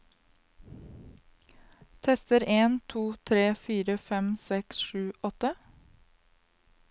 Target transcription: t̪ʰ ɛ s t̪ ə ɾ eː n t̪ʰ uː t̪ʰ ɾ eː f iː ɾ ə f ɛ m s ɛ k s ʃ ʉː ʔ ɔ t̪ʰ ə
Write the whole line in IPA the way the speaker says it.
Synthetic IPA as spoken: t̪ʰ ɛ s t̪ ə ɾ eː n t̪ʰ uː t̪ʰ ɾ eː f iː ɾ ə f ɛ m s ɛ k s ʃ ʉː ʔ ɔ t̪ ə

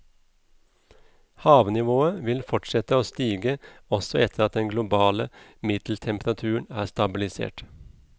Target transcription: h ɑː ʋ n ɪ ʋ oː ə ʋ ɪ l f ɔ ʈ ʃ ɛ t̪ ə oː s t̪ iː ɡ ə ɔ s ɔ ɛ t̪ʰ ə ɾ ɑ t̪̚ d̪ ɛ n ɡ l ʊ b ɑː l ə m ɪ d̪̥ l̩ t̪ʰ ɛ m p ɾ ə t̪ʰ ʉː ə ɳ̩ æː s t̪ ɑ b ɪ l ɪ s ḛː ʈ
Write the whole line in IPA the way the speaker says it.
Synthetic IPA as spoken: h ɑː ʋ n ɪ ʋ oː ə ʋ ɪ l f ɔ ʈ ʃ ɛ t̪ ə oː s t̪ iː ɡ ə ɔ s ɔ ɛ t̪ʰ ə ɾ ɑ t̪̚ d̪ ɛ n ɡ l ʊ b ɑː l ə m ɪ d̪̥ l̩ t̪ʰ ɛ m p ɾ ɑ t̪ʰ ʉː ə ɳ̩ æː s t̪ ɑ b ɪ l ɪ s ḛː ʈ

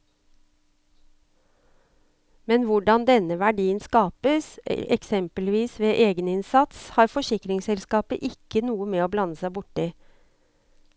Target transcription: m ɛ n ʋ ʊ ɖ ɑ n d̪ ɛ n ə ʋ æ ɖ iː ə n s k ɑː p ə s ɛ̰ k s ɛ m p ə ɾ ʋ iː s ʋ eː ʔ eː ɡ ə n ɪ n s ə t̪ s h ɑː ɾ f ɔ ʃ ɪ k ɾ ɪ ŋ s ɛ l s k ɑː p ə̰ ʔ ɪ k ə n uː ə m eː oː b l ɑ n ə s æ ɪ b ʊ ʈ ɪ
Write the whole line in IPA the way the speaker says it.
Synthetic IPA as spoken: m ɛ n ʋ ʊ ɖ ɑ n d̪ ɛ n ə ʋ æ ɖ iː ə n s k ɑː p ə s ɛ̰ k s ɛ m p ə l ʋ iː s ʋ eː ʔ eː ɡ ə n ɪ n s ɑ t̪ s h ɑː ɾ f ɔ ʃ ɪ k ɾ ɪ ŋ s ɛ l s k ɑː p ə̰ ʔ ɪ k ə n uː ə m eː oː b l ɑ n ə s æ ɪ b ʊ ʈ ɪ

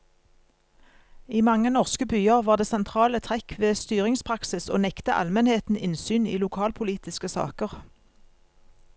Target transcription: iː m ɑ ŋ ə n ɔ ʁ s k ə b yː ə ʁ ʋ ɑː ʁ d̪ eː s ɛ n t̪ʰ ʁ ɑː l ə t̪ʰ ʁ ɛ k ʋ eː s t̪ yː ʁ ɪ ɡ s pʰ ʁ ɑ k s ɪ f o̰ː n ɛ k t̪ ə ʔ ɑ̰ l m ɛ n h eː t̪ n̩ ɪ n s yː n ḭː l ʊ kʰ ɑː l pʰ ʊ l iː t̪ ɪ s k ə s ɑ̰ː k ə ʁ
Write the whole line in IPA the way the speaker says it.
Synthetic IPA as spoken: iː m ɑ ŋ ə n ɔ ʁ s k ə b yː ə ʁ ʋ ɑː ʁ d̪ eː s ɛ n t̪ʰ ʁ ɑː l ə t̪ʰ ʁ ɛ k ʋ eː s t̪ yː ʁ ɪ ŋ s pʰ ʁ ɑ k s ɪ s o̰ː n ɛ k t̪ ə ʔ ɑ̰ l m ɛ n h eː t̪ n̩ ɪ n s yː n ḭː l ʊ kʰ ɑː l pʰ ʊ l iː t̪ ɪ s k ə s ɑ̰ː k ə ʁ

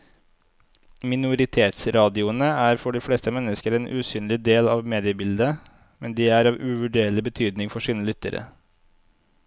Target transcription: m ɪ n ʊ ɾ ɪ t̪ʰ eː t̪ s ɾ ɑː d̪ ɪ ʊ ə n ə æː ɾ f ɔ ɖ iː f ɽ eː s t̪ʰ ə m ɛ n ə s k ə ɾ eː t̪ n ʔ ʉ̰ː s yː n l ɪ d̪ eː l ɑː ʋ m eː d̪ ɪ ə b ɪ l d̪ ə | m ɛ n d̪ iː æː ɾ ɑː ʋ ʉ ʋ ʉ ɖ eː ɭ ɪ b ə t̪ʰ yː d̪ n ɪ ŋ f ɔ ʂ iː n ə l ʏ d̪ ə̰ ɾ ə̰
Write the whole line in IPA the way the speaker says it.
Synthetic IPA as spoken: m ɪ n ʊ ɾ ɪ t̪ʰ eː t̪ s ɾ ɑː d̪ ɪ ʊ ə n ə æː ɾ f ɔ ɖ iː f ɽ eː s t̪ ə m ɛ n ə s k ə ɾ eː n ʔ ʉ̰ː s yː n l ɪ d̪ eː l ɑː ʋ m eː d̪ ɪ ə b ɪ l d̪ ə | m ɛ n d̪ iː æː ɾ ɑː ʋ ʉ ʋ ʉ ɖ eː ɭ ɪ b ə t̪ʰ yː d̪ n ɪ ŋ f ɔ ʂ iː n ə l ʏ t̪ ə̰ ɾ ə̰

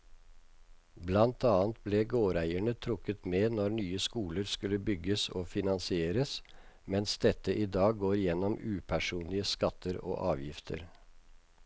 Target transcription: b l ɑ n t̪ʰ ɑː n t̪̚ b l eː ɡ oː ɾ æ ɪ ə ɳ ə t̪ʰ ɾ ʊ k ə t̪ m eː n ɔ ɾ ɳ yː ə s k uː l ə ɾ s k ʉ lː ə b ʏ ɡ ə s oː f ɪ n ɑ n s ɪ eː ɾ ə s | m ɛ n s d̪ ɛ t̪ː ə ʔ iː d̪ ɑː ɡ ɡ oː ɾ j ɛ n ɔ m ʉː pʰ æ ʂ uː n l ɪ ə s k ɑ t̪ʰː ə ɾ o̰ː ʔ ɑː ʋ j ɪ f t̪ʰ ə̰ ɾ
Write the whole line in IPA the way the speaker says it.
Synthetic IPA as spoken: b l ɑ n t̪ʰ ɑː n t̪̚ b l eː ɡ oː ɾ æ ɪ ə ɳ ə t̪ʰ ɾ ʊ k ə t̪ m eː n ɔ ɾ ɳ yː ə s k uː l ə ɾ s k ʉ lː ə b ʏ ɡ ə s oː f ɪ n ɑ n s ɪ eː ɾ ə s | m ɛ n s d̪ ɛ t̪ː ə ʔ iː d̪ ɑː ɡ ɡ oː ɾ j ɛ n ɔ m ʉː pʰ æ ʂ uː n l ɪ ə s k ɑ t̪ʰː ə ɾ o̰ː ʔ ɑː ʋ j ɪ f t̪ʰ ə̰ ɾ

